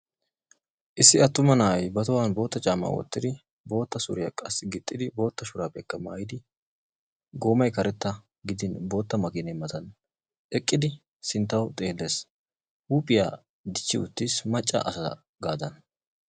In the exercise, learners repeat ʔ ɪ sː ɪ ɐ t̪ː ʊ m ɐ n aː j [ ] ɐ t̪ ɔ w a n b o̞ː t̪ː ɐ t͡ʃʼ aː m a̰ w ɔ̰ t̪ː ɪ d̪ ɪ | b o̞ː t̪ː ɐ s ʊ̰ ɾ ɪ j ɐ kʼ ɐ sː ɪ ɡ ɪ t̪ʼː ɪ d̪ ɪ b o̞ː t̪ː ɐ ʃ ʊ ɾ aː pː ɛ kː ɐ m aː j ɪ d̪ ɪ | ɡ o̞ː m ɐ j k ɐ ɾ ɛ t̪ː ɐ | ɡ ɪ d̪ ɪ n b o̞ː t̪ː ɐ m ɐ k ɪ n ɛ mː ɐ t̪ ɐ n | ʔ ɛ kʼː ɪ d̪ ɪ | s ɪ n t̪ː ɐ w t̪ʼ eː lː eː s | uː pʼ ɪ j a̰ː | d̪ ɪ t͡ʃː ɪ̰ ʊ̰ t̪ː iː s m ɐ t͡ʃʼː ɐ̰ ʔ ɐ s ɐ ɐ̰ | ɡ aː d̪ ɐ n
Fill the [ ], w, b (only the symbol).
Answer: b